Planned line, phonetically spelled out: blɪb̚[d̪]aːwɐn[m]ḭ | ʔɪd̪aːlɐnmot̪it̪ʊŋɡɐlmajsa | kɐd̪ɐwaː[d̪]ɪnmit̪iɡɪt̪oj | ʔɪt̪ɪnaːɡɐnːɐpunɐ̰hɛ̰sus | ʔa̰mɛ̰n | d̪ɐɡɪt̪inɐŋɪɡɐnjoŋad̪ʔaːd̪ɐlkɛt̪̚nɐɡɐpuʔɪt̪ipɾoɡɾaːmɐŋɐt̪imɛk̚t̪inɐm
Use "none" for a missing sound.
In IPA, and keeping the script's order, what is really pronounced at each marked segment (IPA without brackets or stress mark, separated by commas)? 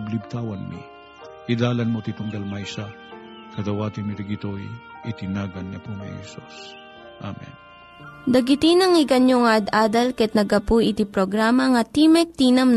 t̪, m, t̪